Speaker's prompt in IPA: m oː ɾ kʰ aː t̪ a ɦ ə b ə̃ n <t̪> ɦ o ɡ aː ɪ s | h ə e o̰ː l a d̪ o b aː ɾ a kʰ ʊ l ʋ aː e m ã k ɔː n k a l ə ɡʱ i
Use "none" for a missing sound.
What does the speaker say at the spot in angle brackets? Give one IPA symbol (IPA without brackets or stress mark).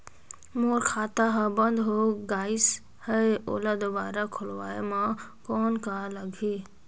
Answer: d̪